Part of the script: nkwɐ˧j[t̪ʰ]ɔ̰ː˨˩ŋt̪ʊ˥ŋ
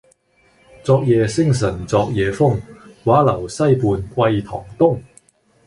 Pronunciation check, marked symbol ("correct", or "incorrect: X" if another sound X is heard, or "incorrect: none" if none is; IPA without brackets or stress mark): correct